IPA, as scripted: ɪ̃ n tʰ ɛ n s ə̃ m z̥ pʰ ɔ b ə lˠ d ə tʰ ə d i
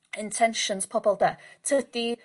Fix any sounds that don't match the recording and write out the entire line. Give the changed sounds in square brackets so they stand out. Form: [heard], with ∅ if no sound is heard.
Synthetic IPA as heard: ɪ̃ n tʰ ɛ n [ʃ] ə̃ [n] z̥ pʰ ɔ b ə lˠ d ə tʰ ə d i